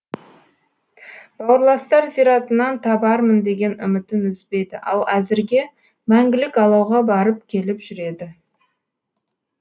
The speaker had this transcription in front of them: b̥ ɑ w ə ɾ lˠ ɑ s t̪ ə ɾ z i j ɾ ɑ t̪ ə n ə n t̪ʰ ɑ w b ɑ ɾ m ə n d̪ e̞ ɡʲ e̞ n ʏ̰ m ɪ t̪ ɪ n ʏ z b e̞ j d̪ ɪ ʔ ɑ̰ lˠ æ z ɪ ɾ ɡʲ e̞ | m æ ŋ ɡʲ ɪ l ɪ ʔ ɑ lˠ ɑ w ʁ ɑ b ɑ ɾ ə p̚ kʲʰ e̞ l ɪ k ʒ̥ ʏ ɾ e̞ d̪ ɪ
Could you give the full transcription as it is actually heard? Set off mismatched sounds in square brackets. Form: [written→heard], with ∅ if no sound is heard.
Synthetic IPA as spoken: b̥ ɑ w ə ɾ lˠ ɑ s t̪ [ə→ɑ] ɾ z i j ɾ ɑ t̪ ə n [ə→ɑ] n t̪ʰ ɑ [w→∅] b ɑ ɾ m ə n d̪ e̞ ɡʲ e̞ n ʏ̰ m ɪ t̪ ɪ n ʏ z b e̞ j d̪ ɪ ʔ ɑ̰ lˠ æ z ɪ ɾ ɡʲ e̞ | m æ ŋ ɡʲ ɪ l ɪ [ʔ→k] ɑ lˠ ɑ w ʁ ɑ b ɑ ɾ ə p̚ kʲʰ e̞ l ɪ [k→p] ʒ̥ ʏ ɾ e̞ d̪ ɪ